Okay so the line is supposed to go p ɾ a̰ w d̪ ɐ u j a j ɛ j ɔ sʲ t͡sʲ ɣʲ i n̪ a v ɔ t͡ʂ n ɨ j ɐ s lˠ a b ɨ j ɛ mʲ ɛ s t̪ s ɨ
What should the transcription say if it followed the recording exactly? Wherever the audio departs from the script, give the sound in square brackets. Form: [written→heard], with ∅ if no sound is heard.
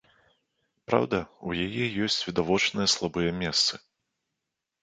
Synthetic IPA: p ɾ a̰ w d̪ ɐ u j a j ɛ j ɔ sʲ t͡sʲ [ɣʲ→vʲ] i [n̪→d̪] a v ɔ t͡ʂ n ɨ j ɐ s lˠ a b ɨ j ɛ mʲ ɛ s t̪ s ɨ